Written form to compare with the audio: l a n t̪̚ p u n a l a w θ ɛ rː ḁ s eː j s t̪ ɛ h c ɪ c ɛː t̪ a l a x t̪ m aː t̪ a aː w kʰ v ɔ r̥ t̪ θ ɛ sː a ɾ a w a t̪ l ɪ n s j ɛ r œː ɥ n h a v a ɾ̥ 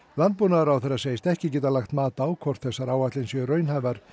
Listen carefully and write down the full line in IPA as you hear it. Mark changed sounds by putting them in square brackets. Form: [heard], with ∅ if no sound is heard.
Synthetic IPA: l a n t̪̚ p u n a [ɾ] a w θ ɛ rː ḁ s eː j s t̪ ɛ h c ɪ c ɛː t̪ a l a x t̪ m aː t̪ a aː w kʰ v ɔ r̥ t̪ θ ɛ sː a ɾ a w a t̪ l ɪ n s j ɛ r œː ɥ n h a v a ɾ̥